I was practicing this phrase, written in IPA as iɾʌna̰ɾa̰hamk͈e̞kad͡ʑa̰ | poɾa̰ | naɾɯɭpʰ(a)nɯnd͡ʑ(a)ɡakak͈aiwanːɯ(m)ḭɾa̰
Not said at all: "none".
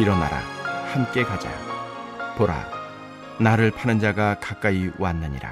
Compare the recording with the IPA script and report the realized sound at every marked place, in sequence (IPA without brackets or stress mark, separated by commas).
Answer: a, a, ɲ